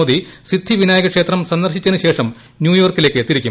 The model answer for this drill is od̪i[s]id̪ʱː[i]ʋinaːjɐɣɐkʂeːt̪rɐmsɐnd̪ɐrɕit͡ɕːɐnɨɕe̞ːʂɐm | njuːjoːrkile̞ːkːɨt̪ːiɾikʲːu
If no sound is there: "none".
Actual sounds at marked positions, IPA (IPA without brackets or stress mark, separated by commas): s, i